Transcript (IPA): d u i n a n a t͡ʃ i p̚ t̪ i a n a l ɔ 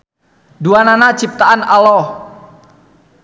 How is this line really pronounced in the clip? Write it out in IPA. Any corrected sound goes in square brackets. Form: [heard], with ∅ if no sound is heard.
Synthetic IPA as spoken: d u [a] n a n a t͡ʃ i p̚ t̪ [a] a n a l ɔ

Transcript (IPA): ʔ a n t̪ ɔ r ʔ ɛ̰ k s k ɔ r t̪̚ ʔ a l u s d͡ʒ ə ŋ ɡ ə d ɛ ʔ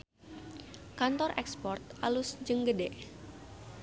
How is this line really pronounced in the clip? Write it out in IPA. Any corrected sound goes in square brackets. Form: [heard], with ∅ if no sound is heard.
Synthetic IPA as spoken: [k] a n t̪ ɔ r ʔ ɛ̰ k s [p] ɔ r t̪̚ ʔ a l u s d͡ʒ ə ŋ ɡ ə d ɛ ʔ

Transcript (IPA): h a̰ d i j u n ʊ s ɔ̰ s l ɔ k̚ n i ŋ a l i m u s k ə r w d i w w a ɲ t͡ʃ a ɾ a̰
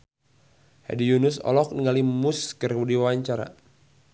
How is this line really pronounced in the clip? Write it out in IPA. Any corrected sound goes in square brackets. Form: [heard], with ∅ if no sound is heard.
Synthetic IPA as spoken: h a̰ d i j u n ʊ s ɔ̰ [∅] l ɔ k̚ n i ŋ a l i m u s k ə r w d i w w a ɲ t͡ʃ a ɾ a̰

